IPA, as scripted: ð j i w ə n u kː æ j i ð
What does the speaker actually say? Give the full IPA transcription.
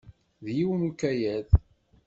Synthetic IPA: ð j i w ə n u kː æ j æ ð